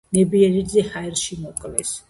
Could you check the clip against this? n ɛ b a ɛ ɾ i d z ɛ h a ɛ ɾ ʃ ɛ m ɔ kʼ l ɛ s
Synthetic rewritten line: n ɛ b i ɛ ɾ i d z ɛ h a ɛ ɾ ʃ i m ɔ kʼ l ɛ s